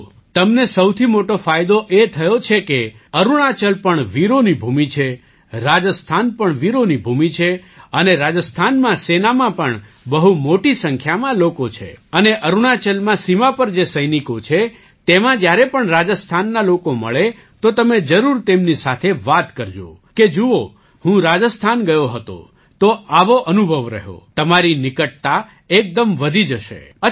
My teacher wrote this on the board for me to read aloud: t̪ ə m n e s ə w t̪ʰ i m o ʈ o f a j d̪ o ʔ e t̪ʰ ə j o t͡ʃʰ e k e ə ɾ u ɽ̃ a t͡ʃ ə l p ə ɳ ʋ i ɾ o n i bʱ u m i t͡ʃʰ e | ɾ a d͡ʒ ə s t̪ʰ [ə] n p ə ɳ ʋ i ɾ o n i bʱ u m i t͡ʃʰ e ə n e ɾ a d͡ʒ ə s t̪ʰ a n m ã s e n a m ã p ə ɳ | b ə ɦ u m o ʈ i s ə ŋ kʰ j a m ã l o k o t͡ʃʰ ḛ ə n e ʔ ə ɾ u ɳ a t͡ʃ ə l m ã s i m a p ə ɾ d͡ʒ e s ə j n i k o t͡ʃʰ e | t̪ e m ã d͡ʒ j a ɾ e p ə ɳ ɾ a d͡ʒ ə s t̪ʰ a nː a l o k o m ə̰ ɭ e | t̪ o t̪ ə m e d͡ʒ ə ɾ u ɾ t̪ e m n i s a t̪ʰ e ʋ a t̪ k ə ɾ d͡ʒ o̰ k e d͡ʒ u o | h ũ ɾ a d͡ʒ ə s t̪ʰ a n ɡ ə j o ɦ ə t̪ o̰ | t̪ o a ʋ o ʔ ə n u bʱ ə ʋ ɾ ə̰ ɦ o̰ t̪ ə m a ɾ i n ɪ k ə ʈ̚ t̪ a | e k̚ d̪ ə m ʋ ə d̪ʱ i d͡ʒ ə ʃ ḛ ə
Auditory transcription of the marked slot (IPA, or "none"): a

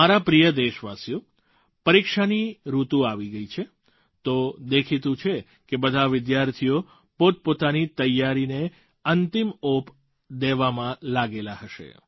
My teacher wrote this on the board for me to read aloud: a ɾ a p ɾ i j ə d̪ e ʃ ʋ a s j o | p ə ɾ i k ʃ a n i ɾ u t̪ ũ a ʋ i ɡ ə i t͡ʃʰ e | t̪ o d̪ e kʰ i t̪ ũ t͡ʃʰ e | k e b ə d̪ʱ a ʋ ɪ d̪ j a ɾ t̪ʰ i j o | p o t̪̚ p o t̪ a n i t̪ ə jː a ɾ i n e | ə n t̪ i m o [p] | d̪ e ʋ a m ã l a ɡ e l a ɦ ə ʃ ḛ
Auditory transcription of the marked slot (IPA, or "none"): p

